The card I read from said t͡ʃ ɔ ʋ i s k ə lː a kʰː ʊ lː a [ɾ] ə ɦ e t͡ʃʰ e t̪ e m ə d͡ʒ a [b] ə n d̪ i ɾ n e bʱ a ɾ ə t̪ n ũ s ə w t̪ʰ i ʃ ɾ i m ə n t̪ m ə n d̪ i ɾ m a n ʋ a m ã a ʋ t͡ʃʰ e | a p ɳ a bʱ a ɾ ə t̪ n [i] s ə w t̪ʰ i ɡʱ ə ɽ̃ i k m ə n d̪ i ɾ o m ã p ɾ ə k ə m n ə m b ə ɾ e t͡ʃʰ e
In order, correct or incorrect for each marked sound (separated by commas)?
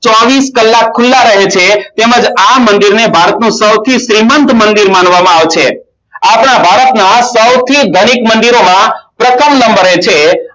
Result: correct, incorrect, incorrect